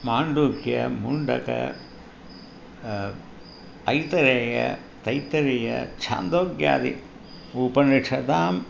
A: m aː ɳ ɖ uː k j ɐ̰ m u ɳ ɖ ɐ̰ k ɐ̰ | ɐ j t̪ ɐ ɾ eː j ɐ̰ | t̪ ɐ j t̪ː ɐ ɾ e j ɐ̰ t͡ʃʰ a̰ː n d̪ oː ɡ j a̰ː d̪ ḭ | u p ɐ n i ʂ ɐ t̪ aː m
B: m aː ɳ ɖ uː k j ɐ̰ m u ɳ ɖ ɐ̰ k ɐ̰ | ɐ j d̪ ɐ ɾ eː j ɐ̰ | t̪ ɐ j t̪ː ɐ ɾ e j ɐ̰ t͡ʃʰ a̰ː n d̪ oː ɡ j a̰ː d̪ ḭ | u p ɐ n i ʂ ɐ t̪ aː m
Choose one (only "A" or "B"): A